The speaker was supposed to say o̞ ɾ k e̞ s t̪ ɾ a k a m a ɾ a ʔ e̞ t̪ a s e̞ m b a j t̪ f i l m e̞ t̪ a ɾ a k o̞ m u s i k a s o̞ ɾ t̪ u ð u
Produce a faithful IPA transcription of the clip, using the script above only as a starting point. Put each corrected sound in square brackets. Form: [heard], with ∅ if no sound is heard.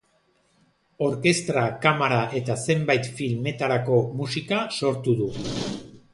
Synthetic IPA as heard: o̞ ɾ k e̞ s t̪ ɾ a k a m a ɾ a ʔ e̞ t̪ a s e̞ m b a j t̪ f i l m e̞ t̪ a ɾ a k o̞ m u s i k a s o̞ ɾ t̪ u ð u

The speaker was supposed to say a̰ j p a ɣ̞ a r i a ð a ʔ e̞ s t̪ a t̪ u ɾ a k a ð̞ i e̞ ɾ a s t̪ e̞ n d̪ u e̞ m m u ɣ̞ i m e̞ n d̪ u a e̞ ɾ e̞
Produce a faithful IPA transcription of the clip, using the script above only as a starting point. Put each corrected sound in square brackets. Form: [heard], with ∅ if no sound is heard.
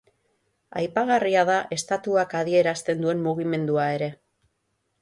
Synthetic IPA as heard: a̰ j p a ɣ̞ a r i a ð a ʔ e̞ s t̪ a t̪ u [∅] a k a ð̞ i e̞ ɾ a s t̪ e̞ n d̪ u e̞ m m u ɣ̞ i m e̞ n d̪ u a e̞ ɾ e̞

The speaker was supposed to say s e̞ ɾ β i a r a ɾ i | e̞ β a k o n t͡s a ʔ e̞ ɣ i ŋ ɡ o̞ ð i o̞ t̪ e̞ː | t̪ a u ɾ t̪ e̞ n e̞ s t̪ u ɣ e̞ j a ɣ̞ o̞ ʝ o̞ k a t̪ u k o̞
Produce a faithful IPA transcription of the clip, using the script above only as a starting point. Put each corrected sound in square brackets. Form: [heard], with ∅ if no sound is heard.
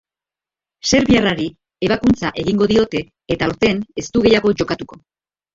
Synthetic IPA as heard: s e̞ ɾ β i a r a ɾ i | e̞ β a k [u] n t͡s a ʔ e̞ ɣ i ŋ ɡ o̞ ð i o̞ t̪ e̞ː | t̪ a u ɾ t̪ e̞ n e̞ s t̪ u ɣ e̞ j a ɣ̞ o̞ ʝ o̞ k a t̪ u k o̞

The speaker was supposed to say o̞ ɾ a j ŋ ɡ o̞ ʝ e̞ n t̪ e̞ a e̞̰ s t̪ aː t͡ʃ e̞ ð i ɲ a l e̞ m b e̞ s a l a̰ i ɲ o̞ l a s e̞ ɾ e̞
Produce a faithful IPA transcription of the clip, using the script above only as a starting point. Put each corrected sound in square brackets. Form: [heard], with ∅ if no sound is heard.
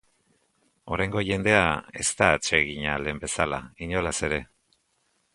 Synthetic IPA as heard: o̞ ɾ a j ŋ ɡ o̞ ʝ e̞ n [d̪] e̞ a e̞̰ s t̪ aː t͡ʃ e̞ [ɣ] i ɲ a l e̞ m b e̞ s a l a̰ i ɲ o̞ l a s e̞ ɾ e̞

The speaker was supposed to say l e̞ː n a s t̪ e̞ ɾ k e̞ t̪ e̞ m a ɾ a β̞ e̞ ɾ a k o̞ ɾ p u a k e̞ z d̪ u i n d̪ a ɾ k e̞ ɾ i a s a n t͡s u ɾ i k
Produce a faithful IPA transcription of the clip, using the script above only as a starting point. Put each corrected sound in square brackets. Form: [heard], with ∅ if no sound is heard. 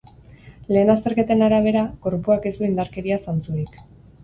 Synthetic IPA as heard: l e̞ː n a s t̪ e̞ ɾ k e̞ t̪ e̞ [n] a ɾ a β̞ e̞ ɾ a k o̞ ɾ p u a k e̞ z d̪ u i n d̪ a ɾ k e̞ ɾ i a s a n t͡s u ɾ i k

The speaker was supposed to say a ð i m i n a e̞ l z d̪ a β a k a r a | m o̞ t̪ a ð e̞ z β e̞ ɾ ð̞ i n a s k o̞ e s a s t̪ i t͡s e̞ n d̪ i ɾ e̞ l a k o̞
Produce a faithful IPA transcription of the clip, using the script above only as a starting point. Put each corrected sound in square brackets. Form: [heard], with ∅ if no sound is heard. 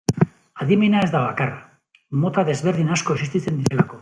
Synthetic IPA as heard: a ð i m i n a e̞ [∅] z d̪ a β a k a r a | m o̞ t̪ a ð e̞ z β e̞ ɾ ð̞ i n a s k o̞ e s [i] s t̪ i t͡s e̞ n d̪ i ɾ e̞ l a k o̞

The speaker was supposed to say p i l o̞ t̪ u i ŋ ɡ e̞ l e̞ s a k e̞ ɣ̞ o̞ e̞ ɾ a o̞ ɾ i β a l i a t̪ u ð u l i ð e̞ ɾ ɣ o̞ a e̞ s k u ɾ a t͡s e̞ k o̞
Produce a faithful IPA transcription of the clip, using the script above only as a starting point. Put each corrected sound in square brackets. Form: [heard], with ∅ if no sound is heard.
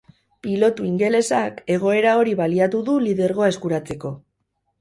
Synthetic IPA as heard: p i l o̞ t̪ u i ŋ ɡ e̞ l e̞ s a k e̞ ɣ̞ o̞ e̞ ɾ a o̞ ɾ i β a l i a t̪ u ð u l i ð e̞ ɾ ɣ o̞ a e̞ s k u ɾ a t͡s e̞ k o̞

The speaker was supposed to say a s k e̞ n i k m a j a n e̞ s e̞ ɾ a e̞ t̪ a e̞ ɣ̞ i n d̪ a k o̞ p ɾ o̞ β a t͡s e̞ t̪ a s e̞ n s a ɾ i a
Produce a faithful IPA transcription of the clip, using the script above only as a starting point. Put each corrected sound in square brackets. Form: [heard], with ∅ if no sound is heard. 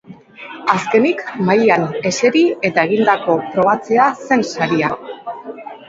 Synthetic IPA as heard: a s k e̞ n i k m a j a n e̞ s e̞ ɾ [i] e̞ t̪ a e̞ ɣ̞ i n d̪ a k o̞ p ɾ o̞ β a t͡s e̞ [∅] a s e̞ n s a ɾ i a

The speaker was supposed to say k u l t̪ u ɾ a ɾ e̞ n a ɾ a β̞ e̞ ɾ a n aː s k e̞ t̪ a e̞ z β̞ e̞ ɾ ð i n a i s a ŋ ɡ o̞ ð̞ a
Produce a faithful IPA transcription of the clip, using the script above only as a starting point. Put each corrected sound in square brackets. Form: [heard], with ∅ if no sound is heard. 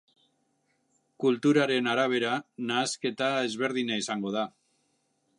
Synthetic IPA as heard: k u l t̪ u ɾ a ɾ e̞ n a ɾ a β̞ e̞ ɾ a n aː s k e̞ t̪ a e̞ z β̞ e̞ ɾ ð i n a i s a ŋ ɡ o̞ ð̞ a

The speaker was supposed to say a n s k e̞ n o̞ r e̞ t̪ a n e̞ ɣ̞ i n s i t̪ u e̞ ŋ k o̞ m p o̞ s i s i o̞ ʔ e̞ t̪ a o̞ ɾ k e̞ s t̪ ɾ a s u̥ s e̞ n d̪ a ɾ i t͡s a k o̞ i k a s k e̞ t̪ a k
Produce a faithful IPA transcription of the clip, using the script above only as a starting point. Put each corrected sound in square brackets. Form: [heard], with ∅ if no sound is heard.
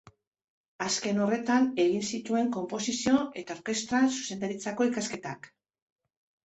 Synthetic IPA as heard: a [∅] s k e̞ n o̞ r e̞ t̪ a n e̞ ɣ̞ i n s i t̪ u e̞ ŋ k o̞ m p o̞ s i s i o̞ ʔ e̞ t̪ a o̞ ɾ k e̞ s t̪ ɾ a s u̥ s e̞ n d̪ a ɾ i t͡s a k o̞ i k a s k e̞ t̪ a k

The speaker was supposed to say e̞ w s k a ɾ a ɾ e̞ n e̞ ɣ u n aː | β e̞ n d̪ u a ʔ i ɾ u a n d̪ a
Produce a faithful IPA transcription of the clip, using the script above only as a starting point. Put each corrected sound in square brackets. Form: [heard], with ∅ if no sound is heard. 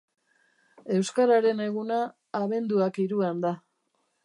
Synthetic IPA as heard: e̞ w s k a ɾ a ɾ e̞ n e̞ ɣ u n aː | β e̞ n d̪ u a [k] i ɾ u a n d̪ a

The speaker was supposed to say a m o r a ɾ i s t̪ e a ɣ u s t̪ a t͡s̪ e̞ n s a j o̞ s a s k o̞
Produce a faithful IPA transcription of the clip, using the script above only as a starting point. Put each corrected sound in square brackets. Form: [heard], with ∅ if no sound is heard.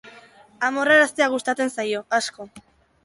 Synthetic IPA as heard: a m o r a ɾ [a] s t̪ e a ɣ u s t̪ a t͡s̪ e̞ n s a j o̞ [∅] a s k o̞

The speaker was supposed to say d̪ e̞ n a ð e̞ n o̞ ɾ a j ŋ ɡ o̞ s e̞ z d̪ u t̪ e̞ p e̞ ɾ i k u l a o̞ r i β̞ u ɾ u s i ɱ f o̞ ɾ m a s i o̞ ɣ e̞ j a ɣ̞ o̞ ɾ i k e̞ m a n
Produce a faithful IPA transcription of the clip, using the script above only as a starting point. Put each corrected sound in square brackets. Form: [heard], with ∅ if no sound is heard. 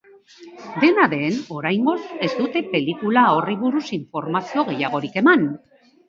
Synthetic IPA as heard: d̪ e̞ n a ð e̞ n o̞ ɾ a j ŋ ɡ o̞ s e̞ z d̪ u t̪ e̞ p e̞ [l] i k u l a o̞ r i β̞ u ɾ u s i ɱ f o̞ ɾ m a s i o̞ ɣ e̞ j a ɣ̞ o̞ ɾ i k e̞ m a n

